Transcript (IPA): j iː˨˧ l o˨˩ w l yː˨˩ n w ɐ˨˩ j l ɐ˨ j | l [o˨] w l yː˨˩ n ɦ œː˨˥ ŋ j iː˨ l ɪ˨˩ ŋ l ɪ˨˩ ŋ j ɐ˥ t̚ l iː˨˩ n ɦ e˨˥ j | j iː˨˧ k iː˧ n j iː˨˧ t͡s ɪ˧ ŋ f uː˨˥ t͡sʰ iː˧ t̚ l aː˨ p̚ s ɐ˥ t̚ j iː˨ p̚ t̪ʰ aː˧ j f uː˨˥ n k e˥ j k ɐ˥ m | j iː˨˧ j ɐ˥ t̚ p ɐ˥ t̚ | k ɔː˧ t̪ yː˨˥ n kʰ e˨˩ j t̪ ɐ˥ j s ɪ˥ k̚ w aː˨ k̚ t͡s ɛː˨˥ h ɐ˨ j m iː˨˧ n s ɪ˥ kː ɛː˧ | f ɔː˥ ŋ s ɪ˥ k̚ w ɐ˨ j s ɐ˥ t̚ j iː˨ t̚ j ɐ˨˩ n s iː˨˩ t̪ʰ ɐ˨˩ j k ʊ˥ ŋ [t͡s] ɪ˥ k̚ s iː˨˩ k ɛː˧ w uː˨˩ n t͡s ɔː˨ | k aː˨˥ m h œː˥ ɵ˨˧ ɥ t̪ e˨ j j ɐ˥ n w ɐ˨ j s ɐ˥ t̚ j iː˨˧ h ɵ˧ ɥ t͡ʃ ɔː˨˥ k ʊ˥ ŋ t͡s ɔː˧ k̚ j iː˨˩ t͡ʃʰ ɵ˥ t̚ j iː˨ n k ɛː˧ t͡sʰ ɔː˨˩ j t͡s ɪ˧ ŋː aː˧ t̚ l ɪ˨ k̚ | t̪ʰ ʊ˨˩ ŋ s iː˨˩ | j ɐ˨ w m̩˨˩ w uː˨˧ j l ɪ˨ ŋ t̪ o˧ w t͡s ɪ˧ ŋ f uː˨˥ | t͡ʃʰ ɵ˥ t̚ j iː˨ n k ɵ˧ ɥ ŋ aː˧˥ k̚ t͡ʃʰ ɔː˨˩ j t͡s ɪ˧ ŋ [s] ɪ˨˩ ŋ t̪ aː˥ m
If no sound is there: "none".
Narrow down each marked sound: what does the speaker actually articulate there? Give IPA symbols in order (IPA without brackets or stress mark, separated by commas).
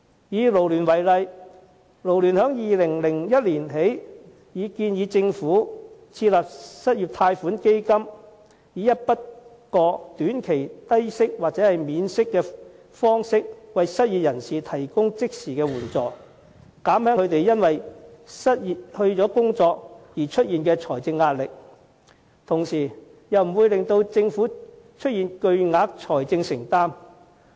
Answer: o˨, t͡s, s